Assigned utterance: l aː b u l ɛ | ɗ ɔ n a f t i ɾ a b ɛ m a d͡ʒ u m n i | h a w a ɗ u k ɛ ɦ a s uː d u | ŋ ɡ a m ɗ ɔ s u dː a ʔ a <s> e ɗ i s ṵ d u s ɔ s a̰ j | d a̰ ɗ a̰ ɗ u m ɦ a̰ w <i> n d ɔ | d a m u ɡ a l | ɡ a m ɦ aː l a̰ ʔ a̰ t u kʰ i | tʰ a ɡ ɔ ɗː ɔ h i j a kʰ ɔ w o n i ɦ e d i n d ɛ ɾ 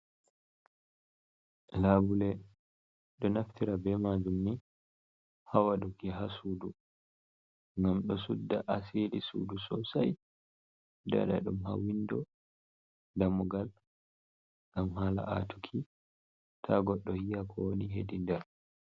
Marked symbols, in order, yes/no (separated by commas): yes, yes